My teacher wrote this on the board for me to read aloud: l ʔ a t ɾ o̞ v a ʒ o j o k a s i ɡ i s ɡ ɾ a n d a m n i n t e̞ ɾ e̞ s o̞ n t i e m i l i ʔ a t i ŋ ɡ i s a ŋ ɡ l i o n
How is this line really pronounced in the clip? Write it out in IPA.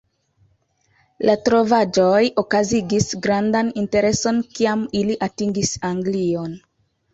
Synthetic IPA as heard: l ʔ a t ɾ o̞ v a d͡ʒ o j o k a z i ɡ i s ɡ ɾ a n d a n i n t e̞ ɾ e̞ s o̞ n k i a m i l i ʔ a t i ŋ ɡ i s a ŋ ɡ l i o n